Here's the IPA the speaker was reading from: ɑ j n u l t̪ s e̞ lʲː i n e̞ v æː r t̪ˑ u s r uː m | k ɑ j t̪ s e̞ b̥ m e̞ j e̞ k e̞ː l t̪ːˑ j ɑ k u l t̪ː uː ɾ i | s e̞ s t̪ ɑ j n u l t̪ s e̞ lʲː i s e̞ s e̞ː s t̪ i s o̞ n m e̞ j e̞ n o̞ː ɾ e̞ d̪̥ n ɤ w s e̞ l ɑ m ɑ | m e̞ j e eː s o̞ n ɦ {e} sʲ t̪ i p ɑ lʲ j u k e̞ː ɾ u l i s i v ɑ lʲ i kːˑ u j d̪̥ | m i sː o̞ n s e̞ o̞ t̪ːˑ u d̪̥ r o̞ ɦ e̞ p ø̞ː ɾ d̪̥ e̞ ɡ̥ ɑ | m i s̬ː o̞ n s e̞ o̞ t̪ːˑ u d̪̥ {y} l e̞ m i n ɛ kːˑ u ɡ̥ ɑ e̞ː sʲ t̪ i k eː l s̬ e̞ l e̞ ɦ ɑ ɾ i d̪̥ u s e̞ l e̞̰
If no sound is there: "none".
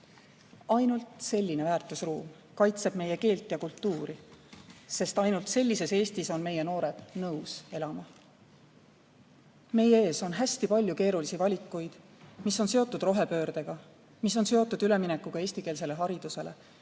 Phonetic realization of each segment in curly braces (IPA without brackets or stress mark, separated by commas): æ, y